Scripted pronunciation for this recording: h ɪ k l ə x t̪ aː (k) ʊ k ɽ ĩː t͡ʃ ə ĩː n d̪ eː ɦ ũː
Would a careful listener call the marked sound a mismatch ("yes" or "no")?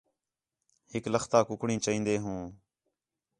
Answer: no